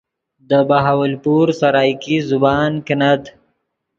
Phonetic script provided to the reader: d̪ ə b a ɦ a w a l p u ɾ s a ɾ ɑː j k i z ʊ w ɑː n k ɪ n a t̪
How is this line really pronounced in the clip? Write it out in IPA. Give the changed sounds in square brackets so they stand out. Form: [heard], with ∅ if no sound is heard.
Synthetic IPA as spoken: d̪ ə b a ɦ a w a l p u ɾ s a ɾ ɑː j k i z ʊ [b] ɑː n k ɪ n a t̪